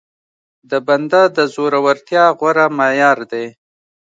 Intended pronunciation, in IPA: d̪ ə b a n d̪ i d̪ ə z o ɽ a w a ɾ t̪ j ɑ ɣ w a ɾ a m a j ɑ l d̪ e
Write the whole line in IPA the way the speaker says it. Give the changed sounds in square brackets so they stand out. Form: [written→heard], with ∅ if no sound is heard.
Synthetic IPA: d̪ ə b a n d̪ [i→a] d̪ ə z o [ɽ→ɾ] a w a ɾ t̪ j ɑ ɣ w a ɾ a m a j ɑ [l→ɾ] d̪ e